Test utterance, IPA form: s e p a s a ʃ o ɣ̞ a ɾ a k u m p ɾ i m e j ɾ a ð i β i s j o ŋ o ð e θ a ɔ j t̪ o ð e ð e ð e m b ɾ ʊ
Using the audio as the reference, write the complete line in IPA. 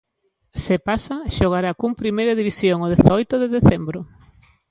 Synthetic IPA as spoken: s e p a s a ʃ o ɣ̞ a ɾ a k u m p ɾ i m e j ɾ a ð i β i s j o ŋ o ð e θ a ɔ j t̪ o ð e ð e θ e m b ɾ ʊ